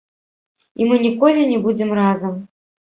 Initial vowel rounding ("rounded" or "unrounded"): unrounded